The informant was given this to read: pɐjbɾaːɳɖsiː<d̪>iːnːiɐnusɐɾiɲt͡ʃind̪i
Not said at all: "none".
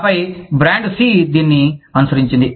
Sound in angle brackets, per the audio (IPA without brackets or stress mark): d̪